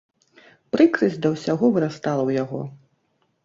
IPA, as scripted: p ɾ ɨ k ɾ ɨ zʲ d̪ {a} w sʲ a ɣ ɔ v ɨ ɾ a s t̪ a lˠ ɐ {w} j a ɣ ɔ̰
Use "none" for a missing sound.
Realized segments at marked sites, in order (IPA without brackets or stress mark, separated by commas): ɐ, w